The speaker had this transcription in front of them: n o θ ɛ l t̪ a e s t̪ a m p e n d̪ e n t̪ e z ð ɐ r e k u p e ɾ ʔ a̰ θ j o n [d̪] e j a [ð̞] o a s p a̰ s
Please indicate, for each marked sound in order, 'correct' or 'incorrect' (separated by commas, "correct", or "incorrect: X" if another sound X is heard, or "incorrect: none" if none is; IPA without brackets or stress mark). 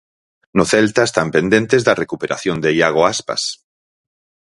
correct, incorrect: ɣ̞